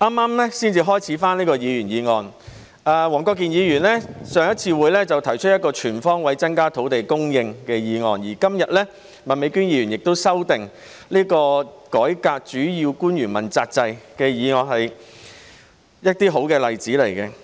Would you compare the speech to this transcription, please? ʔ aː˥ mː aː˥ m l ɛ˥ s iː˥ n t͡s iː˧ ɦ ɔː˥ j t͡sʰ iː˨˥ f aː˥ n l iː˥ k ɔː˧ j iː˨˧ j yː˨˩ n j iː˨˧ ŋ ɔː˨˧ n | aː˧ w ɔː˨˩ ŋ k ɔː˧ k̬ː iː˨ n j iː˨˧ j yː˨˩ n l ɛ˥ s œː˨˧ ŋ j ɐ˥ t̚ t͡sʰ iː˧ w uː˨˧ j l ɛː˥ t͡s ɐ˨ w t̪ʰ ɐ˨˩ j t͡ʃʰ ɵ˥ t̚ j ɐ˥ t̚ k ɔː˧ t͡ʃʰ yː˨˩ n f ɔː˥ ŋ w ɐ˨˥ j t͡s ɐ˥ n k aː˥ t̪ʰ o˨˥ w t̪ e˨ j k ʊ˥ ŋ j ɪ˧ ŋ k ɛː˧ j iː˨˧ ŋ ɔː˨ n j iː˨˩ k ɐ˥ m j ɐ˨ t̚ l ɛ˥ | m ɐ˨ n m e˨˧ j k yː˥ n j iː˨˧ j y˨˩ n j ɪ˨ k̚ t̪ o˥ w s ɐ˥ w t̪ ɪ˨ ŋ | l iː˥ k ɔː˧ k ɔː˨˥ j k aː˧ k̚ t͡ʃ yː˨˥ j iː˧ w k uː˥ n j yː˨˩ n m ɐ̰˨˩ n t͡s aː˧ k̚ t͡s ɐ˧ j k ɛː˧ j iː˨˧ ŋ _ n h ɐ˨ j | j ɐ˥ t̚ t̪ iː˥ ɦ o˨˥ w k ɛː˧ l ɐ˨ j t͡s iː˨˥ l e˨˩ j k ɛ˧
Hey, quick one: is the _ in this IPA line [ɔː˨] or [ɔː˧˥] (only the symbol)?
ɔː˨